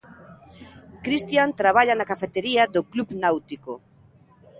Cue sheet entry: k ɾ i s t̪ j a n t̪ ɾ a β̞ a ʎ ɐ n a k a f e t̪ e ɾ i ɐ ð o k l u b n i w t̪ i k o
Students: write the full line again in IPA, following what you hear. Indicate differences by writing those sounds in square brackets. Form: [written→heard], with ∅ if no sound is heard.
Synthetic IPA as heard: k ɾ i s t̪ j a n t̪ ɾ a β̞ a ʎ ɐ n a k a f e t̪ e ɾ i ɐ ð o k l u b n [i→a] w t̪ i k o